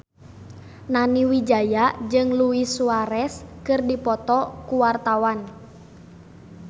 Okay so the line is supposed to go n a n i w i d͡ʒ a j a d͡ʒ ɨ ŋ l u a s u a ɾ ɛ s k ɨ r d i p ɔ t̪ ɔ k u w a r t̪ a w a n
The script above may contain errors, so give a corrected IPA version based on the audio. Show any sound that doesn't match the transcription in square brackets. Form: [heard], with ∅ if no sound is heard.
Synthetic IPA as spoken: n a n i w i d͡ʒ a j a d͡ʒ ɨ ŋ l u [i] s u a ɾ ɛ s k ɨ r d i p ɔ t̪ ɔ k u w a r t̪ a w a n